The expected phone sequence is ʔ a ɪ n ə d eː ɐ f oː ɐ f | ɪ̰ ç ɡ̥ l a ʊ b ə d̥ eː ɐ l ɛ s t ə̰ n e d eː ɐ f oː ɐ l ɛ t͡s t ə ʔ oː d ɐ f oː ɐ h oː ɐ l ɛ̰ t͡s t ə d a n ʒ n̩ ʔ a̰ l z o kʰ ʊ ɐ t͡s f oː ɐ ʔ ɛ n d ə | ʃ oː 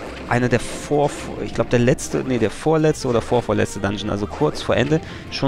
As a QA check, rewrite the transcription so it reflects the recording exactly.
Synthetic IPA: ʔ a ɪ n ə d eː ɐ f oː ɐ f | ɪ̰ ç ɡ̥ l a ʊ b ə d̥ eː ɐ l ɛ t͡s t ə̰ n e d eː ɐ f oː ɐ l ɛ t͡s t ə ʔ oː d ɐ f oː ɐ f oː ɐ l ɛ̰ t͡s t ə d a n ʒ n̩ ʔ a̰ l z o kʰ ʊ ɐ t͡s f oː ɐ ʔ ɛ n d ə | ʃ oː